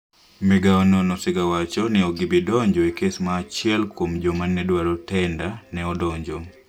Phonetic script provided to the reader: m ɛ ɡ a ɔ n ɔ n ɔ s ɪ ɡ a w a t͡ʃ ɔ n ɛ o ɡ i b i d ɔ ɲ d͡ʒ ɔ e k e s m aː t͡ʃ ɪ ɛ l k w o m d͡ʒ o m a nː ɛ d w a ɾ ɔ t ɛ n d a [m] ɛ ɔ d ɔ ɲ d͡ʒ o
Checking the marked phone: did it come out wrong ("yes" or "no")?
yes